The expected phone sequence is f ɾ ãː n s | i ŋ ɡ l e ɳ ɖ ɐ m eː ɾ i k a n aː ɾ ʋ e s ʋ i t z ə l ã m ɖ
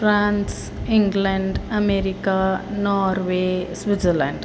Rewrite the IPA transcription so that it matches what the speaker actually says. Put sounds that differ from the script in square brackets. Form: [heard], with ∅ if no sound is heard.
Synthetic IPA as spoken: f ɾ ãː n s | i ŋ ɡ l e ɳ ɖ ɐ m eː ɾ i k a n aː ɾ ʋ e s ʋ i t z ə l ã [ɳ] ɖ